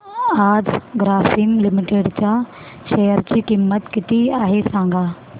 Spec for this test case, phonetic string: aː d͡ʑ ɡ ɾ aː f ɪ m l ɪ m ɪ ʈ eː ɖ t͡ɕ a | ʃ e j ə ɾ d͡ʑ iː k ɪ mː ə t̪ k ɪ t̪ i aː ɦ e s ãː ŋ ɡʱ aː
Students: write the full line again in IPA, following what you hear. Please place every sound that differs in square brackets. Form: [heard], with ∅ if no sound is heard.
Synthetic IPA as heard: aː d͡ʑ ɡ ɾ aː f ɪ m l ɪ m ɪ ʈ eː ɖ t͡ɕ a | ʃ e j ə ɾ d͡ʑ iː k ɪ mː ə t̪ k ɪ t̪ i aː ɦ e s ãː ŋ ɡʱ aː